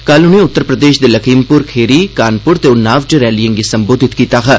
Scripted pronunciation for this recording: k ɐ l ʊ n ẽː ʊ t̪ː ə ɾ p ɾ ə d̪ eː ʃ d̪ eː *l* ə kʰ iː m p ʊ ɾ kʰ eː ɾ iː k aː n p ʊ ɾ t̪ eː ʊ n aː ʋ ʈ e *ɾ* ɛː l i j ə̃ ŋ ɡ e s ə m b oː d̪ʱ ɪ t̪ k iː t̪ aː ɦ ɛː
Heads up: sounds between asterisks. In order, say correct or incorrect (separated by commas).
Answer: correct, correct